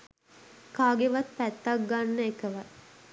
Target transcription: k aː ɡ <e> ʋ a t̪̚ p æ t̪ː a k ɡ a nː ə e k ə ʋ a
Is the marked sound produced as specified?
yes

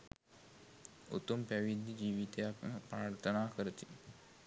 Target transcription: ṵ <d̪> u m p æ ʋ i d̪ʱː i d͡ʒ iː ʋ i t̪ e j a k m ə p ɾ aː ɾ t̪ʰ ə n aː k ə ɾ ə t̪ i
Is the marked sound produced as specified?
no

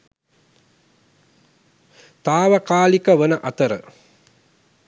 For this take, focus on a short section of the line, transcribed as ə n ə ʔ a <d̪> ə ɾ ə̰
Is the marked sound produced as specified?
no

